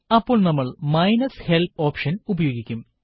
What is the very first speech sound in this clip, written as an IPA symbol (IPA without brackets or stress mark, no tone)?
ɐ